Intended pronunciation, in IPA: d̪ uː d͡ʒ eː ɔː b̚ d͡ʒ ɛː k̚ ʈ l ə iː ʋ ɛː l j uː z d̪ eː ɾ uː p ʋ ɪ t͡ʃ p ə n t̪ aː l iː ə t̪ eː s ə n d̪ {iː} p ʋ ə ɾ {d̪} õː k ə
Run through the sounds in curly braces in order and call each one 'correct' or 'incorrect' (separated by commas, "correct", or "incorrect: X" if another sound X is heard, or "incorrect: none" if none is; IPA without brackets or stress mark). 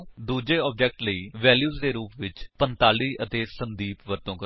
correct, incorrect: t̪